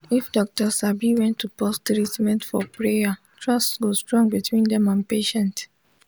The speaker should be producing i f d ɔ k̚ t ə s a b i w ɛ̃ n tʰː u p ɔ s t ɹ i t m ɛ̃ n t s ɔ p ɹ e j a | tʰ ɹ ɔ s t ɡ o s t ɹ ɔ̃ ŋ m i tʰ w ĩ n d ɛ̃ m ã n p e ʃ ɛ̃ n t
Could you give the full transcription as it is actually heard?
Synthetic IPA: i f d ɔ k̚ t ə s a b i w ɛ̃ n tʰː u p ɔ s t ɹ i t m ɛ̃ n t f ɔ p ɹ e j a | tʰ ɹ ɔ s t ɡ o s t ɹ ɔ̃ ŋ b i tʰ w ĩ n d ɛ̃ m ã n p e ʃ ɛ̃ n t